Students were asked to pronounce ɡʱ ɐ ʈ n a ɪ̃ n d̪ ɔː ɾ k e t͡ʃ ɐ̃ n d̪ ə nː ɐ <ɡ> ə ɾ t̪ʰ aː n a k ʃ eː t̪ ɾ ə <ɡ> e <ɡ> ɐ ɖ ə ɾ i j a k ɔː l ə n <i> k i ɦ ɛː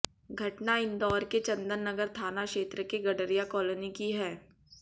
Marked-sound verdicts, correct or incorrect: correct, incorrect: k, correct, correct

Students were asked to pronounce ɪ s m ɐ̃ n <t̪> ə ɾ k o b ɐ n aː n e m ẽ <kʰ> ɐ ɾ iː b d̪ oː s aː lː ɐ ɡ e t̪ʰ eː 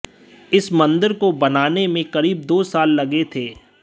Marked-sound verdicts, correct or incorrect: incorrect: d̪, incorrect: k

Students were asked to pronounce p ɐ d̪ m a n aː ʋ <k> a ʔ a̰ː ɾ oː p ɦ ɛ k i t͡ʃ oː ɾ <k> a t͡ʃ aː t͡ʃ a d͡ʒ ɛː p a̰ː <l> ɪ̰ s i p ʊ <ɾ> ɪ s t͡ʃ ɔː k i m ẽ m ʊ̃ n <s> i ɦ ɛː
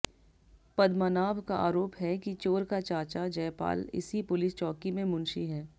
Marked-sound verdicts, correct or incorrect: correct, correct, correct, incorrect: l, incorrect: ʃ

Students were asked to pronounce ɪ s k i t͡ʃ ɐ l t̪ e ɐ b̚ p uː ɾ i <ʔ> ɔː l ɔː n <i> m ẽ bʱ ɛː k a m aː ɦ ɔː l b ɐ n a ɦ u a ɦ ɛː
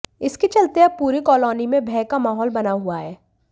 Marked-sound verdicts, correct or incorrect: incorrect: k, correct

